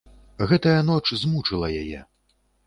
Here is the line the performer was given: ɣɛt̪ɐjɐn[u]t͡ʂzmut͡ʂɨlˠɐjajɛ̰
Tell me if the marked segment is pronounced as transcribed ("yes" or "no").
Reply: no